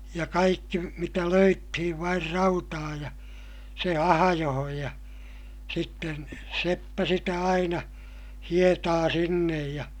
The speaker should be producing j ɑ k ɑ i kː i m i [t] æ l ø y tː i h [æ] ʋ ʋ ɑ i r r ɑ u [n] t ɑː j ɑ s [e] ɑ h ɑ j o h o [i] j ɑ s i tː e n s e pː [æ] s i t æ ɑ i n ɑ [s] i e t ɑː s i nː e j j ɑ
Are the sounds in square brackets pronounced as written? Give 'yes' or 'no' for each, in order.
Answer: yes, no, no, yes, no, yes, no

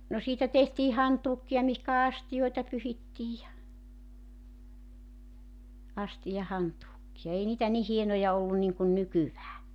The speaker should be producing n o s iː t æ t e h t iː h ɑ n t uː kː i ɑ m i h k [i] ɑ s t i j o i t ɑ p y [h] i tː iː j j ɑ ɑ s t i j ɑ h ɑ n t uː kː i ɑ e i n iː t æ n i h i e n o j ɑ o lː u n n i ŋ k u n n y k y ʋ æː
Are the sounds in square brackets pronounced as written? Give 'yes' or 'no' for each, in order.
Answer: no, yes

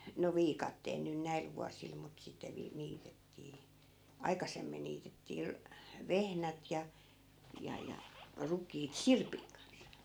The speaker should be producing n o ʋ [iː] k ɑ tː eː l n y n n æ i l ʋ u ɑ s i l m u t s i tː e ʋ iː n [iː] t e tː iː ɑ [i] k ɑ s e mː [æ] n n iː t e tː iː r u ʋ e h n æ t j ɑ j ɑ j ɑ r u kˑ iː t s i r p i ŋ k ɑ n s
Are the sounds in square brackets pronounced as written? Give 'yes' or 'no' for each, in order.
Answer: yes, yes, yes, no

